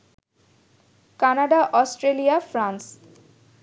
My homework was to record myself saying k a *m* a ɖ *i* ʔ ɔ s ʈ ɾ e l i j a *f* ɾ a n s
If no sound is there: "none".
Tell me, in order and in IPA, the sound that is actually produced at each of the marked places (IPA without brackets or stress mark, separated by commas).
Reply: n, a, f